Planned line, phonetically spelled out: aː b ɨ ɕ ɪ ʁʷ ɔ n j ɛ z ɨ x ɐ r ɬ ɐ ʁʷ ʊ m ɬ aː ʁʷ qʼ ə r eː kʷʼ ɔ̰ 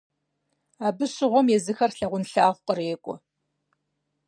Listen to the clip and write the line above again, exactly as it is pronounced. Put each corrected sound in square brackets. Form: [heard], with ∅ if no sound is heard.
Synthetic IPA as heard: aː b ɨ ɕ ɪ ʁʷ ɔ [m] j ɛ z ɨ x ɐ r ɬ ɐ ʁʷ ʊ [n] ɬ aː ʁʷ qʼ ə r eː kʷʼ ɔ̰